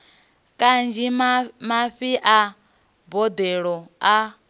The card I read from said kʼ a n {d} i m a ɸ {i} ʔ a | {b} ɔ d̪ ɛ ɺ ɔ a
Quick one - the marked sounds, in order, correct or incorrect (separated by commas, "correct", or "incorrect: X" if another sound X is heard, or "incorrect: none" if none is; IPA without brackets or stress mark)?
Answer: incorrect: d͡ʒ, correct, correct